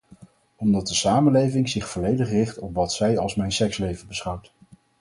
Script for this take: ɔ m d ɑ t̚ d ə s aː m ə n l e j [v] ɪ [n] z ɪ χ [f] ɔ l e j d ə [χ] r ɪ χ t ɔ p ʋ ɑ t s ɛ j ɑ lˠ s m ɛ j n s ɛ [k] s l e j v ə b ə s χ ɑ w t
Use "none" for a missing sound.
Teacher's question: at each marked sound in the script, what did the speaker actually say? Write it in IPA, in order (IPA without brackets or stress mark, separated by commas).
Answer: v, ŋ, f, χ, k